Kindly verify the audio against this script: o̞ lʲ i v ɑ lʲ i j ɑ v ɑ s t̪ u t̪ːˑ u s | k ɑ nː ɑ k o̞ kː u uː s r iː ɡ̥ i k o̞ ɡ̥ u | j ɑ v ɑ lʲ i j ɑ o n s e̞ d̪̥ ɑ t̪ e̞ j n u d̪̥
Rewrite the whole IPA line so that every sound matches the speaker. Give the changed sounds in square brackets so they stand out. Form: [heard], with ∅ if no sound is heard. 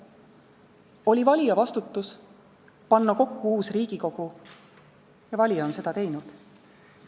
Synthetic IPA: o̞ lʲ i v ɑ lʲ i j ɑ v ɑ s t̪ u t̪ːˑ u s | [p] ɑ nː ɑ k o̞ kː u uː s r iː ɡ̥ i k o̞ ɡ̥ u | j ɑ v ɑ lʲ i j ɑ o n s e̞ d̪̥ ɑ t̪ e̞ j n u d̪̥